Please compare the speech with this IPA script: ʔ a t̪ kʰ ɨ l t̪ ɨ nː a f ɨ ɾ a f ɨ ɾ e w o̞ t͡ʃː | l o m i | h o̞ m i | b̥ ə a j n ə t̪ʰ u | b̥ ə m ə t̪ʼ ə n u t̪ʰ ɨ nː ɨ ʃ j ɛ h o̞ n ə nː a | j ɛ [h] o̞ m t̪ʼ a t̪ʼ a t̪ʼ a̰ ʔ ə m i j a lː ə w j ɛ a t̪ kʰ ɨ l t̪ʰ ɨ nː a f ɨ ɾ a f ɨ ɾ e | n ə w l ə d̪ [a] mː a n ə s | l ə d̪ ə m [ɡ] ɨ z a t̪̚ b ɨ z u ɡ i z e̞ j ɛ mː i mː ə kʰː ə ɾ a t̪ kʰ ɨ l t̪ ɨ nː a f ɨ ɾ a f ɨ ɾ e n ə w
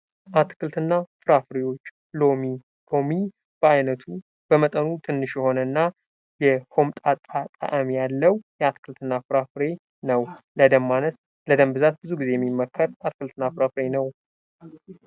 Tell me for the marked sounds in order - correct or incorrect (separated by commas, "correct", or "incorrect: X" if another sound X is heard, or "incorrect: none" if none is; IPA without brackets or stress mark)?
correct, incorrect: ə, incorrect: b